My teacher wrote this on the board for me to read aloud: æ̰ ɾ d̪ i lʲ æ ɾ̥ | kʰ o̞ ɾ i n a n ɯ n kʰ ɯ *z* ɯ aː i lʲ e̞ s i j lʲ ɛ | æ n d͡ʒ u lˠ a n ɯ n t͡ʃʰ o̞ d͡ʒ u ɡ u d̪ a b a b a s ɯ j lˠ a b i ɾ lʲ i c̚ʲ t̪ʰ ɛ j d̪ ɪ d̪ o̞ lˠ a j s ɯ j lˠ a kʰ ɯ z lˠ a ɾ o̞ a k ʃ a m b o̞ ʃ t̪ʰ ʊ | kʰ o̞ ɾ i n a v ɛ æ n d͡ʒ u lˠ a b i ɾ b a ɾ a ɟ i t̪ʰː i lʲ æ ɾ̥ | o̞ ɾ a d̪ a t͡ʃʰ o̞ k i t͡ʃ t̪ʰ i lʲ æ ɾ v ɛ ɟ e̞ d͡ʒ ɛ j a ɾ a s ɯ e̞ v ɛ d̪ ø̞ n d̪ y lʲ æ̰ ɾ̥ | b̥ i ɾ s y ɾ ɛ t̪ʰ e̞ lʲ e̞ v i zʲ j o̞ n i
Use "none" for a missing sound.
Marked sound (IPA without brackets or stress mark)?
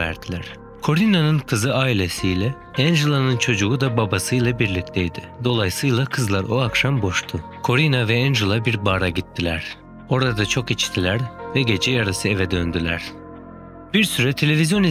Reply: z